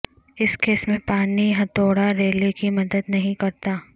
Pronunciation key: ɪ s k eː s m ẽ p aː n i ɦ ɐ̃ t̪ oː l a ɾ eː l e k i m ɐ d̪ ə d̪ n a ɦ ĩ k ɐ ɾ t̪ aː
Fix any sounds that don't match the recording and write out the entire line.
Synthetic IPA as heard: ɪ s k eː s m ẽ p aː n i ɦ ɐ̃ t̪ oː ɽ a ɾ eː l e k i m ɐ d̪ ə d̪ n ɐ ɦ ĩ k ɐ ɾ t̪ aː